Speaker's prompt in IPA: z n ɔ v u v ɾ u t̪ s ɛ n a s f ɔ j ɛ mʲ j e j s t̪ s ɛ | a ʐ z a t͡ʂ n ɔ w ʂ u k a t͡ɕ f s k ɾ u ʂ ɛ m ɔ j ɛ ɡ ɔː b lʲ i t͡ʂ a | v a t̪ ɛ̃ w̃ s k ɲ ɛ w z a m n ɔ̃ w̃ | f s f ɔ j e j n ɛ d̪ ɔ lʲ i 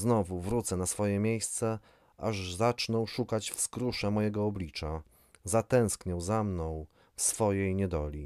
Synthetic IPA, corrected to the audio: z n ɔ v u v ɾ u t̪ s ɛ n a s f ɔ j ɛ mʲ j e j s t̪ s ɛ | a ʐ z a t͡ʂ n ɔ w ʂ u k a t͡ɕ f s k ɾ u ʂ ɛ m ɔ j ɛ ɡ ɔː b lʲ i t͡ʂ a | z a t̪ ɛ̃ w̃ s k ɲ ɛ w z a m n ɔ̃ w̃ | f s f ɔ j e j ɲ ɛ d̪ ɔ lʲ i